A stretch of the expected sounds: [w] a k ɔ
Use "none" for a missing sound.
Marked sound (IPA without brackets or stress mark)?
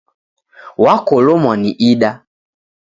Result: w